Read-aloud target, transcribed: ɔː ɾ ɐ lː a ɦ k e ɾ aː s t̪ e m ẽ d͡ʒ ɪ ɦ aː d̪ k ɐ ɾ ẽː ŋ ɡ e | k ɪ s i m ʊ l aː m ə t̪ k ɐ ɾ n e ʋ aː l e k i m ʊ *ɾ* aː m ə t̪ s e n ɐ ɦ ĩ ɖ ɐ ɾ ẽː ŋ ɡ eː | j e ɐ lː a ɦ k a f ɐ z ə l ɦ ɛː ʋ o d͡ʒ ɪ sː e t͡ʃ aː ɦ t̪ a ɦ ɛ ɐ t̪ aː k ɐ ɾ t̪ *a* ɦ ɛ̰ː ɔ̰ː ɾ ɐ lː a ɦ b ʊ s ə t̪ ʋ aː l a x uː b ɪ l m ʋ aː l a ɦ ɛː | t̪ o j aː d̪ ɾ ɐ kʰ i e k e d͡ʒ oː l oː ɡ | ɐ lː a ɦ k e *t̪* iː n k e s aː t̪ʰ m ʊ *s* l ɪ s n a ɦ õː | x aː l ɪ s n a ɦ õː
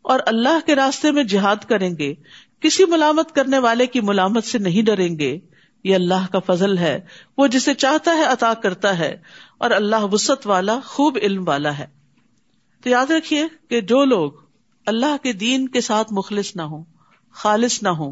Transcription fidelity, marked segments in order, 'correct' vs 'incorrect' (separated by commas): incorrect, correct, incorrect, incorrect